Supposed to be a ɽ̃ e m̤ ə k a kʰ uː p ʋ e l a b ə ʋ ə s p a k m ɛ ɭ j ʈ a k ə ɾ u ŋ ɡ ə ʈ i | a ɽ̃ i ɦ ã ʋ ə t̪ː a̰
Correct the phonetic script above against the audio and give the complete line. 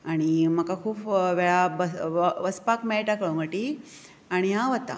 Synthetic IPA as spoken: a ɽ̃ i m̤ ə k a kʰ uː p ʋ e ɭ a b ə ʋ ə s p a k m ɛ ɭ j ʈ a k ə ɭ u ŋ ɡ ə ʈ i | a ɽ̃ i ɦ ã ʋ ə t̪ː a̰